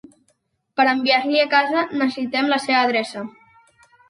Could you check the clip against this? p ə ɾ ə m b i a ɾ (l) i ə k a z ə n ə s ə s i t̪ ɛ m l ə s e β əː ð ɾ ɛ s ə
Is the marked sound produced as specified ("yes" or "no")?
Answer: yes